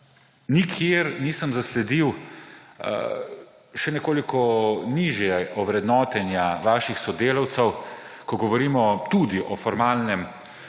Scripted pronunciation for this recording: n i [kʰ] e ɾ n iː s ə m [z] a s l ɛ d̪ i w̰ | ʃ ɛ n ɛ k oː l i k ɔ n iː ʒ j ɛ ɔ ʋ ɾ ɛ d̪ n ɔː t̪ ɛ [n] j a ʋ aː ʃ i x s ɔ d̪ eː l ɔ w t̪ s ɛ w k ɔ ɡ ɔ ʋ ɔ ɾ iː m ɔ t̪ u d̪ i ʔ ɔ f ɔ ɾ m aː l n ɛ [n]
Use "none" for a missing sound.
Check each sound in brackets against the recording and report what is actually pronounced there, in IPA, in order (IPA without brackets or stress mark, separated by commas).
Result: kʰ, z, n, m